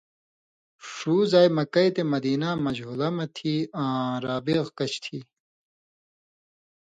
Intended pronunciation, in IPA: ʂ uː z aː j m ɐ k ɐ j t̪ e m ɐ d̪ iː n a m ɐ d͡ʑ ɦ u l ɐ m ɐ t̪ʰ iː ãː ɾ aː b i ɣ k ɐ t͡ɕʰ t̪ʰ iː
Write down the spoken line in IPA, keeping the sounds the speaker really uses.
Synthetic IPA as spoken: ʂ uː z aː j m ɐ k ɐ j t̪ e m ɐ d̪ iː n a m ɐ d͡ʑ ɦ u l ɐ m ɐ t̪ʰ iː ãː ɾ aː b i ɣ k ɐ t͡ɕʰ t̪ʰ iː